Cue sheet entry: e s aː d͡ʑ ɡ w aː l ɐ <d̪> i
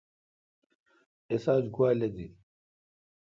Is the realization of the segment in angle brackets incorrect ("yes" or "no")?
no